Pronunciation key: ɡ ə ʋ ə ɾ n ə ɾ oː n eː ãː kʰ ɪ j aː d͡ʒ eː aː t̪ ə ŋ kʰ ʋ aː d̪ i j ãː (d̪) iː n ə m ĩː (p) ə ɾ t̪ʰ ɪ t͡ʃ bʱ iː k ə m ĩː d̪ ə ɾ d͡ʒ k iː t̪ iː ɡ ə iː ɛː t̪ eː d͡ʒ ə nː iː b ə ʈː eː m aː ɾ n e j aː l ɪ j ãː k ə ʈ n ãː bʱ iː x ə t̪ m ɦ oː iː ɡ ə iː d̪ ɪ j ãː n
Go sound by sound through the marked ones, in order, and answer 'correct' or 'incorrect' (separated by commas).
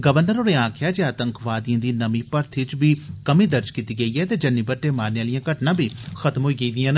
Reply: correct, correct